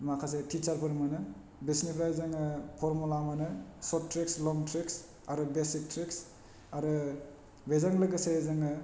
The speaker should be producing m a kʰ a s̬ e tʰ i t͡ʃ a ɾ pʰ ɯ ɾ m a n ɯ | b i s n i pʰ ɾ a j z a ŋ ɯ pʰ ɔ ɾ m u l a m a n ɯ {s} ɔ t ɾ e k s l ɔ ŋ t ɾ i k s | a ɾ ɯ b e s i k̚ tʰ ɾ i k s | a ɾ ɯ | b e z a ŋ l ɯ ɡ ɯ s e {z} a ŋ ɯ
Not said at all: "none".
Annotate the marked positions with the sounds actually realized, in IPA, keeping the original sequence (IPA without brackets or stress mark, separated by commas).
s, z